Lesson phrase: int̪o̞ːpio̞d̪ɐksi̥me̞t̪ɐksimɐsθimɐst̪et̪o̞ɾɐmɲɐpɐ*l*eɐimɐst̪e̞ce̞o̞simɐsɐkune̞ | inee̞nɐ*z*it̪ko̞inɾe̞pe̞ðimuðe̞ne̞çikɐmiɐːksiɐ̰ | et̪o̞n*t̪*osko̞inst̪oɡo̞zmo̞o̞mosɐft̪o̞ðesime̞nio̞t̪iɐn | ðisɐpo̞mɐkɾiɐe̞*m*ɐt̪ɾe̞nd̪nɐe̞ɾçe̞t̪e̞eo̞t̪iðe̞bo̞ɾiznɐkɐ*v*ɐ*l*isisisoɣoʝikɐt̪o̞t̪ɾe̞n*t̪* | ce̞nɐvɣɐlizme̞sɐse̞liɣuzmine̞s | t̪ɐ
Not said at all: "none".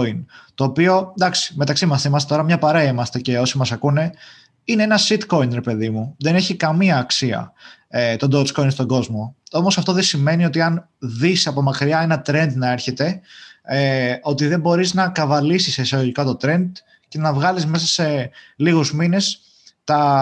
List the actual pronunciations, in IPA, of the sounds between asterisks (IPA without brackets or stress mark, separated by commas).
ɾ, s, d̪, n, v, l, d̪